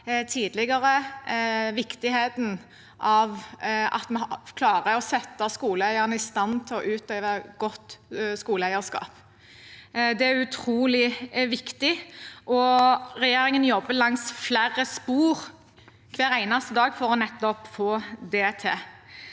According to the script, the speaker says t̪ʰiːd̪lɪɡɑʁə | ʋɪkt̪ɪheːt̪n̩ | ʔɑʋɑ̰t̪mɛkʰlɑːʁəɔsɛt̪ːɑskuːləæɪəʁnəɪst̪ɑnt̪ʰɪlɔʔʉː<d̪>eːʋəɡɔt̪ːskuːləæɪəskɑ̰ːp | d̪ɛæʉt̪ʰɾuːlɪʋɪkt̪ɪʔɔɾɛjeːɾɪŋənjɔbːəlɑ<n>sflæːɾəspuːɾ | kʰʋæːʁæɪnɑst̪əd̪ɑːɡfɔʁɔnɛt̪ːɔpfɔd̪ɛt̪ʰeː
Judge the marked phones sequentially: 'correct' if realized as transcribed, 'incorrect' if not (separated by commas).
incorrect, incorrect